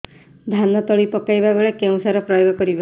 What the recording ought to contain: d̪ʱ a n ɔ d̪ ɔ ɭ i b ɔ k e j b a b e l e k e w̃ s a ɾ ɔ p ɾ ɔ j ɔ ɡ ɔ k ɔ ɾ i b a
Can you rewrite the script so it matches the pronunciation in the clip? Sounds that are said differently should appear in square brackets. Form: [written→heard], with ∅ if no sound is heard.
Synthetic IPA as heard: d̪ʱ a n ɔ [d̪→t̪] ɔ ɭ i [b→p] ɔ k [e→a] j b a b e [l→ɭ] e k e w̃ s a ɾ ɔ p ɾ ɔ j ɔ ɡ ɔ k ɔ ɾ i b a